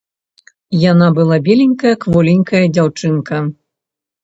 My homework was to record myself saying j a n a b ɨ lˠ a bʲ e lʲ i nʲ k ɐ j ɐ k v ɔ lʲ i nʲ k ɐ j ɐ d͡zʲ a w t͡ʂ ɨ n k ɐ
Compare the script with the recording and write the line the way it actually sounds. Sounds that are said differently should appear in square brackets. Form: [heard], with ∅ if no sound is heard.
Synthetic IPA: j a n a b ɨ lˠ a bʲ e lʲ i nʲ k ɐ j ɐ k v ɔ lʲ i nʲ k ɐ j ɐ d͡zʲ a w t͡ʂ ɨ n k ɐ